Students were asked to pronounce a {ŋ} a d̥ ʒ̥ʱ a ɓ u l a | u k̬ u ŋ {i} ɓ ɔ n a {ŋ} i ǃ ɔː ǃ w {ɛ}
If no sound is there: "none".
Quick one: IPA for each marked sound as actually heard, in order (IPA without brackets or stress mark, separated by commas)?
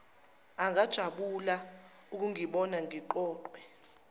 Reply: ŋ, i, ŋ, ɛ